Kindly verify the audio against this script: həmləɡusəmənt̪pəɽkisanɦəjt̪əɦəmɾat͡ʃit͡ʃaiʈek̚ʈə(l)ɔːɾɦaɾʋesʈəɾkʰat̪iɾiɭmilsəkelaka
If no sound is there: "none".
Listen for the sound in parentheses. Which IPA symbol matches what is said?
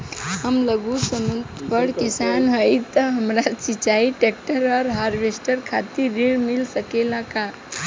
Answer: ɾ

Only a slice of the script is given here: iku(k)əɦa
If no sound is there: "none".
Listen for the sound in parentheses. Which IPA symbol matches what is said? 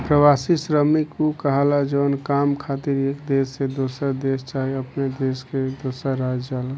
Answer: k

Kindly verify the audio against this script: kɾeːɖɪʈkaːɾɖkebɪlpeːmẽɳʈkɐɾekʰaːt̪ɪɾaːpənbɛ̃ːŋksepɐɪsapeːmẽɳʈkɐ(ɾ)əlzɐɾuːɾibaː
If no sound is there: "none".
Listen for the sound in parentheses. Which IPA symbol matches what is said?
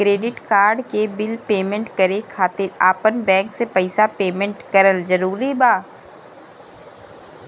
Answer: ɾ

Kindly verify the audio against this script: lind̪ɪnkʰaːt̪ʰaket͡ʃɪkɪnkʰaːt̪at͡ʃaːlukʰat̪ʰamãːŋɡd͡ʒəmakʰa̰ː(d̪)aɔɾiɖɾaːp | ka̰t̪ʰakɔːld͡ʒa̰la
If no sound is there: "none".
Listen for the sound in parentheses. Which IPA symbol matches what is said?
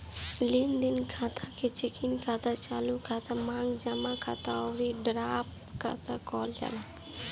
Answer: t̪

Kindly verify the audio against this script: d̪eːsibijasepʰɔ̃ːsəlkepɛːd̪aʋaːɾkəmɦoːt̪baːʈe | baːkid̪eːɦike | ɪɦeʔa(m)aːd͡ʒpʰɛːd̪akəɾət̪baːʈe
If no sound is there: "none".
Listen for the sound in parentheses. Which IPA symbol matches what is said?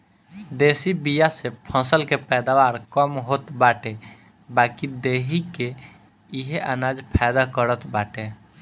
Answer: n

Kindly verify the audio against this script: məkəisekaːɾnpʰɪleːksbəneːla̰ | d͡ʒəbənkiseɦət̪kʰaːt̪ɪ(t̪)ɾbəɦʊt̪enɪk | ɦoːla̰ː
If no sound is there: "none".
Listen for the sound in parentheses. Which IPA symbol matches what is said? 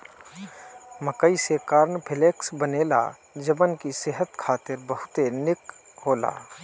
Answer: none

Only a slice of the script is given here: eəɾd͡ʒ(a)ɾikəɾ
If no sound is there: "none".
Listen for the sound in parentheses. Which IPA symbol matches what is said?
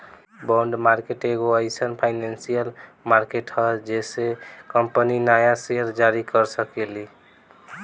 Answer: a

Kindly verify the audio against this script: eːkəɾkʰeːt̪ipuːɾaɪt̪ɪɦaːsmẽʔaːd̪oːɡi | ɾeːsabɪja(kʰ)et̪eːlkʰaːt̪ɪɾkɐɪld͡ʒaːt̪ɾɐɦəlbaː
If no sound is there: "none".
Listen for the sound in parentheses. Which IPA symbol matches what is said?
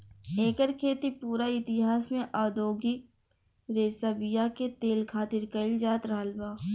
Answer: k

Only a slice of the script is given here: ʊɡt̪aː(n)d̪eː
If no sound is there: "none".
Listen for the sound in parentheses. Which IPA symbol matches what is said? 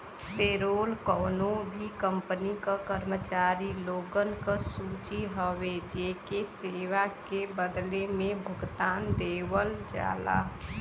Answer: n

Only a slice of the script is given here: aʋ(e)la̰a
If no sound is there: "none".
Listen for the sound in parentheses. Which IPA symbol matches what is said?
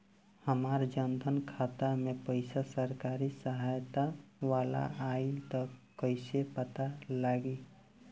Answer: a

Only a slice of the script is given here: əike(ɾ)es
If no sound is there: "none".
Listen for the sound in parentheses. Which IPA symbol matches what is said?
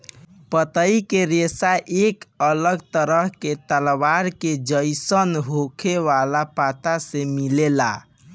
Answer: ɾ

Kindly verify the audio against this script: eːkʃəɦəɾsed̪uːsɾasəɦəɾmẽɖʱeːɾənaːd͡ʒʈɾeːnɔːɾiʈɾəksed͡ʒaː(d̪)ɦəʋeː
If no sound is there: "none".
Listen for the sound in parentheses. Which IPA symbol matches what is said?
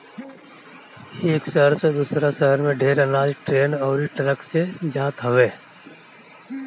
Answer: t̪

